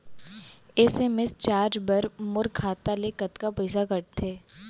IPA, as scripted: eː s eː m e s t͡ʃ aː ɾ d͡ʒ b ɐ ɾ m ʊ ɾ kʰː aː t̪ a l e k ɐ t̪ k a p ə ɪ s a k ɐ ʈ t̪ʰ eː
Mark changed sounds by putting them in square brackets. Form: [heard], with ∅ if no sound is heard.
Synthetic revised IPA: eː s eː m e s t͡ʃ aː ɾ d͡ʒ b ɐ ɾ m ʊ ɾ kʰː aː t̪ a l e k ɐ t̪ k a p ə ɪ s a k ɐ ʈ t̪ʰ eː